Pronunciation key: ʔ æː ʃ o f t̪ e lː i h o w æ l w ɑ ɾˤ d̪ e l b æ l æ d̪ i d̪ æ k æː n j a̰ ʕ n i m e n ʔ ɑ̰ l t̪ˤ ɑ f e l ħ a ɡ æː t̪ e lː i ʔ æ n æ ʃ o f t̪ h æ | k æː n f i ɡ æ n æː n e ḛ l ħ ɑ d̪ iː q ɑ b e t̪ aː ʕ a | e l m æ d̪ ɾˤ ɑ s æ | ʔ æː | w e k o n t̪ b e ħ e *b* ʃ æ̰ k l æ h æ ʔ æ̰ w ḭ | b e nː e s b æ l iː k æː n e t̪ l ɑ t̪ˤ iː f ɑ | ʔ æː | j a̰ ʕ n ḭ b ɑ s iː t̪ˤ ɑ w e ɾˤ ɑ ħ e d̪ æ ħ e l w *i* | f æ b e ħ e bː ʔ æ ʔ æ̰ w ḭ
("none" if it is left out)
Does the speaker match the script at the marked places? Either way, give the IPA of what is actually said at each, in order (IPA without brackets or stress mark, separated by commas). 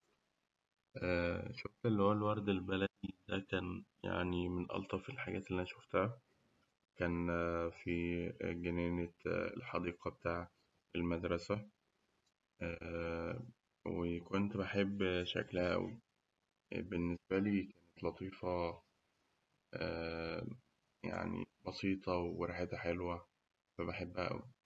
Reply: bː, æ